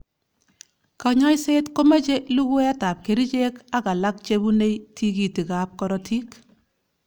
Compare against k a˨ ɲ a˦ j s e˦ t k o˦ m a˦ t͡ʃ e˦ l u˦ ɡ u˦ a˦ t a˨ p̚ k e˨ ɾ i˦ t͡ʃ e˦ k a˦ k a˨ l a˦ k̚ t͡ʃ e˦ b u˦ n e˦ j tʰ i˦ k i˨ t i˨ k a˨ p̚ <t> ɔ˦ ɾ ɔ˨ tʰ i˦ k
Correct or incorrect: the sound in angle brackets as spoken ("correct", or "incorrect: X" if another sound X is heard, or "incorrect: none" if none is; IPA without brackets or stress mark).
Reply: incorrect: k